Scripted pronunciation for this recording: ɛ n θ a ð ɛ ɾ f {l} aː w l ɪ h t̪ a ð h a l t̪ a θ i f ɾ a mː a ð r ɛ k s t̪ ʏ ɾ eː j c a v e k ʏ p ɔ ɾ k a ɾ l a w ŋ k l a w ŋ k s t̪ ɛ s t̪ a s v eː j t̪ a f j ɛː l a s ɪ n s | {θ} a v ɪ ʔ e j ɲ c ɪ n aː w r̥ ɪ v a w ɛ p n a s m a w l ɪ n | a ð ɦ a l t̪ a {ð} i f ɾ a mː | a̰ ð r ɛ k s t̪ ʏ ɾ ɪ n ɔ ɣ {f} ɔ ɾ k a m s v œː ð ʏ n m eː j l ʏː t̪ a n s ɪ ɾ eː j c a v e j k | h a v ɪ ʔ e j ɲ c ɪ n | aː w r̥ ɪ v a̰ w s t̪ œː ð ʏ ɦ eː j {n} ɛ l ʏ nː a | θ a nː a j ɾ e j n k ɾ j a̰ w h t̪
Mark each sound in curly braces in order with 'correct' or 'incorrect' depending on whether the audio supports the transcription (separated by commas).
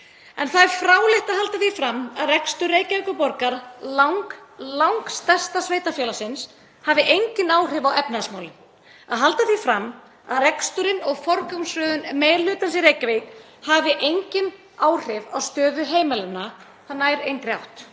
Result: incorrect, incorrect, incorrect, correct, incorrect